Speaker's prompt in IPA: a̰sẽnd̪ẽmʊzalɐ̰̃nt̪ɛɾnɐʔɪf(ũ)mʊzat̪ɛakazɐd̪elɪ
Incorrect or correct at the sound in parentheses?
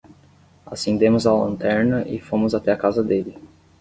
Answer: incorrect: õ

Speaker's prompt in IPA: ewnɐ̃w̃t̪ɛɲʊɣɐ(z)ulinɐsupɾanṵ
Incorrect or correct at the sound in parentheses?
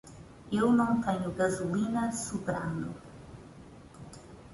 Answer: correct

